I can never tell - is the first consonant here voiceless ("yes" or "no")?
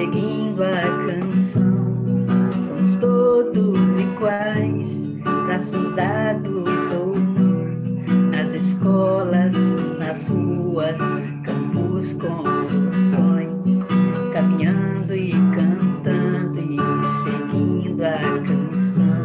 no